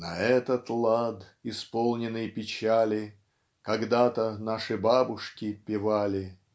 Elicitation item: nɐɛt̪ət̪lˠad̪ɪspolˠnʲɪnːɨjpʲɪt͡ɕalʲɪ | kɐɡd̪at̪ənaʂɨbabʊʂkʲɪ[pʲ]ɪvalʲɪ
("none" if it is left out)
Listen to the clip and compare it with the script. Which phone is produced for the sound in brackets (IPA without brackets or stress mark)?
pʲ